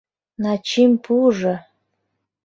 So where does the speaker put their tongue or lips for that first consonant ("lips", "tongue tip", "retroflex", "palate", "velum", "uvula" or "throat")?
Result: tongue tip